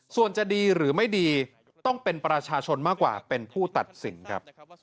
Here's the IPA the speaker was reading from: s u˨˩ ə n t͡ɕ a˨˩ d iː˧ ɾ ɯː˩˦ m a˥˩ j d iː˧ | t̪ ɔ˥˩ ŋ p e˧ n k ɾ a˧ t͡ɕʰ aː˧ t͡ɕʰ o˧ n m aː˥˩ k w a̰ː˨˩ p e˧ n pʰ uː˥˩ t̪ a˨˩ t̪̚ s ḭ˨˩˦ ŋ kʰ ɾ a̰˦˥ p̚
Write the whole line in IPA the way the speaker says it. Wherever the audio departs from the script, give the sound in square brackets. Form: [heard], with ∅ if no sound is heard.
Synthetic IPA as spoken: s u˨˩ ə n t͡ɕ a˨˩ d iː˧ ɾ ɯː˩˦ m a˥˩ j d iː˧ | t̪ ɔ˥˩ ŋ p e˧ n [p] ɾ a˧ t͡ɕʰ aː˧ t͡ɕʰ o˧ n m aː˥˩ k w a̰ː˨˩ p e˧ n pʰ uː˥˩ t̪ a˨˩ t̪̚ s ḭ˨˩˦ [n] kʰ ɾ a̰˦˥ p̚